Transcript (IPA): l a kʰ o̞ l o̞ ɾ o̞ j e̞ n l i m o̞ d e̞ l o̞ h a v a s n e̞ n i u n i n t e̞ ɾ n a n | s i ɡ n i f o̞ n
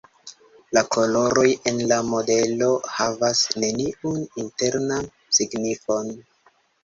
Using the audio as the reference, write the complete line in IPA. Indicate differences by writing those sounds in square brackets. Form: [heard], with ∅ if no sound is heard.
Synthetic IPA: l a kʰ o̞ l o̞ ɾ o̞ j e̞ n l [a] m o̞ d e̞ l o̞ h a v a s n e̞ n i u n i n t e̞ ɾ n a n | s i ɡ n i f o̞ n